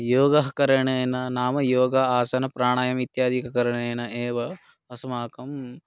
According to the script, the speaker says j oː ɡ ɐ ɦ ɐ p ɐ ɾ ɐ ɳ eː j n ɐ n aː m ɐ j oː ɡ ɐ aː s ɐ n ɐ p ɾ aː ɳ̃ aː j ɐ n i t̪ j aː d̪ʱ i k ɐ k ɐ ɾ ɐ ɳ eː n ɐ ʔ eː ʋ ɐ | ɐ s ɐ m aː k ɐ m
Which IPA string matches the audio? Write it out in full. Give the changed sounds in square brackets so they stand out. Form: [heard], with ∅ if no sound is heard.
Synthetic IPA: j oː ɡ ɐ ɦ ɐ [k] ɐ ɾ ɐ ɳ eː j n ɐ n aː m ɐ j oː ɡ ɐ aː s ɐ n ɐ p ɾ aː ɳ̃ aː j ɐ [m] i t̪ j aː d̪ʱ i k ɐ k ɐ ɾ ɐ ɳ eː n ɐ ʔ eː ʋ ɐ | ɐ s ɐ m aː k ɐ m